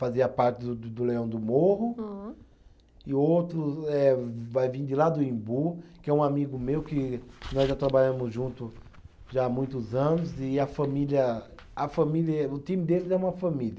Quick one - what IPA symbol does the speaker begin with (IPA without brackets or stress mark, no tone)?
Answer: f